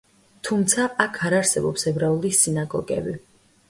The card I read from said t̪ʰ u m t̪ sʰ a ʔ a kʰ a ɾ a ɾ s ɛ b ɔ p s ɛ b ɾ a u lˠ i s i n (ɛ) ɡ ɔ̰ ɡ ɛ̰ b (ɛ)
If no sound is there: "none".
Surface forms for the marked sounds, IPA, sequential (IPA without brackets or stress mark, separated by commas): a, i